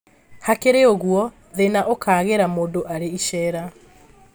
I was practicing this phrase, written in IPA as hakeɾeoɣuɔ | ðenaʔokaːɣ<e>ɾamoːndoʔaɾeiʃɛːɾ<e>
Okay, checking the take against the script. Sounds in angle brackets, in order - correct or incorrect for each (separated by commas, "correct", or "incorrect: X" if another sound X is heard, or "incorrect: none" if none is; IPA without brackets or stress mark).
correct, incorrect: a